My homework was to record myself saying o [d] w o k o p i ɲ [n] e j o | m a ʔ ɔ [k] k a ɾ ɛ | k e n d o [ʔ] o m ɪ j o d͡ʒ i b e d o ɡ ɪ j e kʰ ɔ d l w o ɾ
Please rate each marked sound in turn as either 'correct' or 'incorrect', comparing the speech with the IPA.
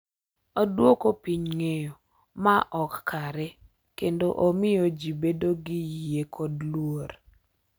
correct, incorrect: ŋ, correct, correct

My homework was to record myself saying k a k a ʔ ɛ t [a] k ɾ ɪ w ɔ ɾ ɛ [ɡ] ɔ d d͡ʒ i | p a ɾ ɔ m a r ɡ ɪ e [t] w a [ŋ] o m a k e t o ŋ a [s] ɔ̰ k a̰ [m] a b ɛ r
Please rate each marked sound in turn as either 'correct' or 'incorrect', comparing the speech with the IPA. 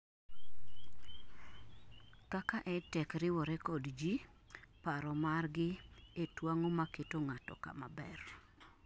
incorrect: ɛ, incorrect: k, correct, correct, incorrect: t, correct

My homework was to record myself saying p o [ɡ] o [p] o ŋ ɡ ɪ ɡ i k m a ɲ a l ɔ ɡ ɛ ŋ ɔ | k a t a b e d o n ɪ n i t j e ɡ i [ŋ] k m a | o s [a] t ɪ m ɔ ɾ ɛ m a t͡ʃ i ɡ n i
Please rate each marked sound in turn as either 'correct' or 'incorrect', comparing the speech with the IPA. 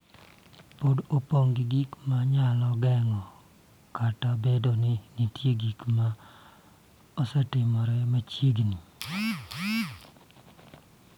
incorrect: d, correct, incorrect: none, incorrect: ɛ

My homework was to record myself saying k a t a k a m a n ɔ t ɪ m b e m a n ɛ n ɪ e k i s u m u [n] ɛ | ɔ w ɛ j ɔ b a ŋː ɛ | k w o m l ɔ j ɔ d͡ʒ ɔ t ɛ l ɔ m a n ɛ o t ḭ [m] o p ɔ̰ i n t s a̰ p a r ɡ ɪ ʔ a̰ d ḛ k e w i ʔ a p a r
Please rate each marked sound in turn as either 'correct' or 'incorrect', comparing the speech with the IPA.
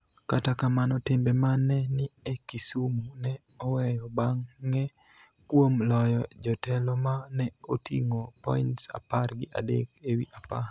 correct, incorrect: ŋ

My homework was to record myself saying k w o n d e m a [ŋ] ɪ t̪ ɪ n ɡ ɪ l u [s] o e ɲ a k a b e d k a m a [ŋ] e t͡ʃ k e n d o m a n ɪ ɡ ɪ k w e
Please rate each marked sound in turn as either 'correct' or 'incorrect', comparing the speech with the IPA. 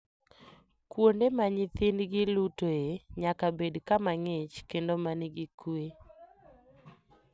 incorrect: ɲ, incorrect: t, correct

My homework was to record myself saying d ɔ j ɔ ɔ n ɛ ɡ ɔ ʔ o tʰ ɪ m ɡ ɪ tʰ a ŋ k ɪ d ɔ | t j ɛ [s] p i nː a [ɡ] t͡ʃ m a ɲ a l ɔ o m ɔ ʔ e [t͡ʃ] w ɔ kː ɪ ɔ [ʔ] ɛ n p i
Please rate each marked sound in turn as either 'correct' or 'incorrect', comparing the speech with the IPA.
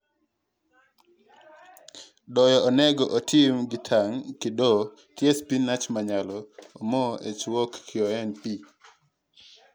correct, incorrect: none, correct, incorrect: none

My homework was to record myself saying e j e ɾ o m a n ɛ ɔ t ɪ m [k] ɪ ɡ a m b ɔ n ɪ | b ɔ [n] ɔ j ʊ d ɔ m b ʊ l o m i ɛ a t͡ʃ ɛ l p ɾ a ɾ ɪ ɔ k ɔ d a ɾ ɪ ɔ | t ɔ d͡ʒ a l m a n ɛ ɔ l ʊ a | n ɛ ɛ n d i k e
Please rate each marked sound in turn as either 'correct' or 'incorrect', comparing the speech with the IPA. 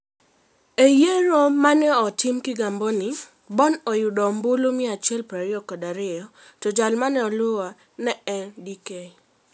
correct, correct

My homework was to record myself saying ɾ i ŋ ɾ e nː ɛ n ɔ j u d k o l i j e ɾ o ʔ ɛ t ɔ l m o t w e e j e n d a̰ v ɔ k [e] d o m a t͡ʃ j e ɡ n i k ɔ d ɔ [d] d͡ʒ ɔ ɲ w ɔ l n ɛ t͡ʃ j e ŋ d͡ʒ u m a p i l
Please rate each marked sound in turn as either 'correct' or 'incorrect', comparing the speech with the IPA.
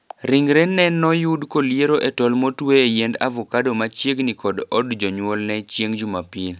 incorrect: a, correct

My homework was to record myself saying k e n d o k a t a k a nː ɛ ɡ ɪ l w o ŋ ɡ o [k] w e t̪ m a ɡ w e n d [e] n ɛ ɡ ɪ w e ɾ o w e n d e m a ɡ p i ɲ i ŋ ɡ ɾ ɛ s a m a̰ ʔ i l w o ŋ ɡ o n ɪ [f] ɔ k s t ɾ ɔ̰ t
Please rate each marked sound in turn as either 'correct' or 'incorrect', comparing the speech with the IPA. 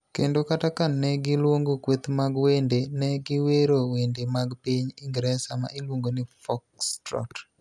correct, correct, correct

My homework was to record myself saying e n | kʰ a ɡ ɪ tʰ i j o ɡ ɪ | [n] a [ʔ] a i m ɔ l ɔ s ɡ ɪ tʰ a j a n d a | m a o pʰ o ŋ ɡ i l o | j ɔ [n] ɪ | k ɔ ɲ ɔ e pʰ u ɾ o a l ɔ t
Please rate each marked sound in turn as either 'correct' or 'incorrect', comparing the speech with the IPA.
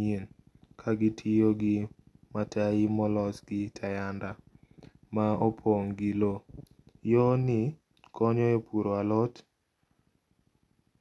incorrect: m, incorrect: t, correct

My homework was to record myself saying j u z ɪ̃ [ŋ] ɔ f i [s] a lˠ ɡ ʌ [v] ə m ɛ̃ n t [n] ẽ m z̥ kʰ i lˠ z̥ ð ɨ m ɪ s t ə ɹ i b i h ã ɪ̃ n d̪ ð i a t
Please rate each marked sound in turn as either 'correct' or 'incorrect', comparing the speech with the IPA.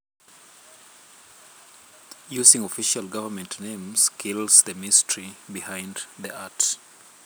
correct, incorrect: ʃ, correct, correct

